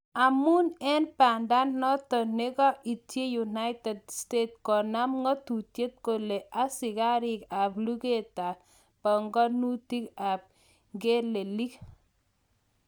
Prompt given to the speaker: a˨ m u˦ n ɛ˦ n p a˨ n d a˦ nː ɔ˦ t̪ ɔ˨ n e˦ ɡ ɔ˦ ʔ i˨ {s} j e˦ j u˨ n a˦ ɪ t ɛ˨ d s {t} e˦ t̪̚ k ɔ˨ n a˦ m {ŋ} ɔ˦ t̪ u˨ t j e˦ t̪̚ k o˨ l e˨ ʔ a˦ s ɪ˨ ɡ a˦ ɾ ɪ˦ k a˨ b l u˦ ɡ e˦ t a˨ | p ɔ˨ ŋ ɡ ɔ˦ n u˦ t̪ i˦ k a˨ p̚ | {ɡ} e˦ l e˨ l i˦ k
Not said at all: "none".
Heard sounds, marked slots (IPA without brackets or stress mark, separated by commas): t, t, ŋ, ɡ